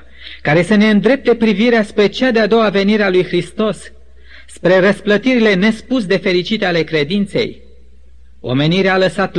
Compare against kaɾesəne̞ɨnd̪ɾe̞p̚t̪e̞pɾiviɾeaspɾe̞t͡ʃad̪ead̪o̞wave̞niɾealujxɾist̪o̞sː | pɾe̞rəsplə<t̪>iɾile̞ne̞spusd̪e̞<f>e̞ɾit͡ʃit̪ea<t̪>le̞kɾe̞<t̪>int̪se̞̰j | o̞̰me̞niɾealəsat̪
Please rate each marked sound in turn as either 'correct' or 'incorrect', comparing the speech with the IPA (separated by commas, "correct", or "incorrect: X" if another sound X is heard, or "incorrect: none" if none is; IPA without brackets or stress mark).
correct, correct, incorrect: none, incorrect: d̪